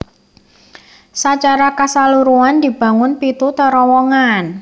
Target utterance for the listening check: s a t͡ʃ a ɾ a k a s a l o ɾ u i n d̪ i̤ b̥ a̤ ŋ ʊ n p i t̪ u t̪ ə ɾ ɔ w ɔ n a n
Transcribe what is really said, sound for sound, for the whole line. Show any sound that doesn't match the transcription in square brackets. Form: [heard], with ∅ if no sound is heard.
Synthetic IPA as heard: s a t͡ʃ a ɾ a k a s a l [u] ɾ u [a] n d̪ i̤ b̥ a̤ ŋ ʊ n p i t̪ u t̪ ə ɾ ɔ w ɔ [ŋ] a n